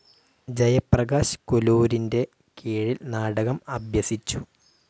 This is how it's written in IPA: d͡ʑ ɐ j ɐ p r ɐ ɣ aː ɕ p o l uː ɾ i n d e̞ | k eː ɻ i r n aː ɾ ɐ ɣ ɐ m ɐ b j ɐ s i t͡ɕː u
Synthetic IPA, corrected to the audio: d͡ʑ ɐ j ɐ p r ɐ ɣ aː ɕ k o l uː ɾ i n d e̞ | k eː ɻ i l n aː ɽ ɐ ɣ ɐ m ɐ b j ɐ s i t͡ɕː u